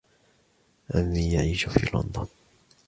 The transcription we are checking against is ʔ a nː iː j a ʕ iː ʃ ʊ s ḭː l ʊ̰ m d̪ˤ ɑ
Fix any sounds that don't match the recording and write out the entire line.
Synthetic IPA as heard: ʔ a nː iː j a ʕ iː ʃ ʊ f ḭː l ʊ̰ n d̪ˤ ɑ